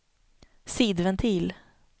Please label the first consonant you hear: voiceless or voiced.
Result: voiceless